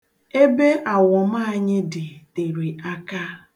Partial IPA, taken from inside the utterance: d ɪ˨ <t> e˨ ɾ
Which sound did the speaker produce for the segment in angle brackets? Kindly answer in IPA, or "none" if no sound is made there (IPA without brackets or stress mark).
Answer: t